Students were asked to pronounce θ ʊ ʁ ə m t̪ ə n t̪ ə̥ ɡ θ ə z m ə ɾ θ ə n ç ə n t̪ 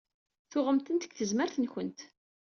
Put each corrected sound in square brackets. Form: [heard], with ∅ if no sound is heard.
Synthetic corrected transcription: θ ʊ ʁ ə m t̪ ə n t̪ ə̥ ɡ θ ə z m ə ɾ θ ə n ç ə n t̪